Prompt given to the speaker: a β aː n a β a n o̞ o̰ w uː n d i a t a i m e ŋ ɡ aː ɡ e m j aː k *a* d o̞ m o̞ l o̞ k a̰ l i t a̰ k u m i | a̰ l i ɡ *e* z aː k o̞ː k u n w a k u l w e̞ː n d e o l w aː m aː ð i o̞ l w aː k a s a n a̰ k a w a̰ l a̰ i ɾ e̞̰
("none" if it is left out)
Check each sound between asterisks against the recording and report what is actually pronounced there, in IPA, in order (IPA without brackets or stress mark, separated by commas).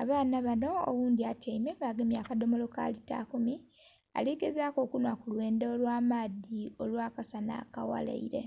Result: a, e